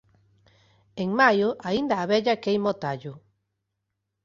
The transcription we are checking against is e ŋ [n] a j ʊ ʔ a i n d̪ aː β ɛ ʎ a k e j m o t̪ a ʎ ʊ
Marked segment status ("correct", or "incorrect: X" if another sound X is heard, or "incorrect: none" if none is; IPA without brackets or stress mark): incorrect: m